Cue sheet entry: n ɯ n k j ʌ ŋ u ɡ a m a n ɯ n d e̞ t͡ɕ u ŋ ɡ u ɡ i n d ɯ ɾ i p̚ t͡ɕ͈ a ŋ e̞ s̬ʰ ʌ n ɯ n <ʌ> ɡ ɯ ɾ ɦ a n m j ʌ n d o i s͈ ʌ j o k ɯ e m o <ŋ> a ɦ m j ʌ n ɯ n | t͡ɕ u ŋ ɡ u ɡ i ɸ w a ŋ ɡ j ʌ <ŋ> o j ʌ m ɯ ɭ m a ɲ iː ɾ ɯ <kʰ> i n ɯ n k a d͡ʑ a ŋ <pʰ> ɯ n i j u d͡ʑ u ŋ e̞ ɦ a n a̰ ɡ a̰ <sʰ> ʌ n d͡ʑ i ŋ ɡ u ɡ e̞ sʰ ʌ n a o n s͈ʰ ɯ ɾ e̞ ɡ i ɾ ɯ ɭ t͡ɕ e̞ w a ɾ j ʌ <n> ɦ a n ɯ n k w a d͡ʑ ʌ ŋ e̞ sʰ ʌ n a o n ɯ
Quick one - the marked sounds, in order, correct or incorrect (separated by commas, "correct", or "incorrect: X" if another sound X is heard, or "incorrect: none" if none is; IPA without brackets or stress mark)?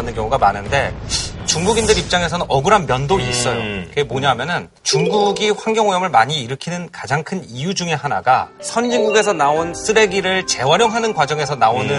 correct, incorrect: ɲ, correct, correct, incorrect: kʰ, correct, incorrect: ŋ